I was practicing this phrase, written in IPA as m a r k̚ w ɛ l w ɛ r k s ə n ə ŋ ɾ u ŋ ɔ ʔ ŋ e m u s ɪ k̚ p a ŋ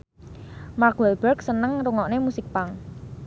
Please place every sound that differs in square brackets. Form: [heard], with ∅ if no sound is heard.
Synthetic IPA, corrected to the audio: m a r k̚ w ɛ l [b] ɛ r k s ə n ə ŋ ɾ u ŋ ɔ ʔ [n] e m u s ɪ k̚ p a ŋ